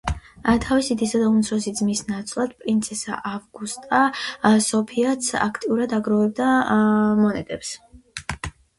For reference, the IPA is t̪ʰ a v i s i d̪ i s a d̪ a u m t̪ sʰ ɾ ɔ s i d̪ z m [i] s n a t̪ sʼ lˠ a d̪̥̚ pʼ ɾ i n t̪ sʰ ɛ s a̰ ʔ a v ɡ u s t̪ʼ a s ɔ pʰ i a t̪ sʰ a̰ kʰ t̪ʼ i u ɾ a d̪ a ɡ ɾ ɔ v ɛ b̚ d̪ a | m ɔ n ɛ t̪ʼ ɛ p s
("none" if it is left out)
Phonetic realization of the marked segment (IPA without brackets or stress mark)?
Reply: i